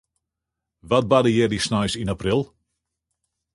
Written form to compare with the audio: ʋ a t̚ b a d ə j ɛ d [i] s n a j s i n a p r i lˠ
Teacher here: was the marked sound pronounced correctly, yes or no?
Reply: yes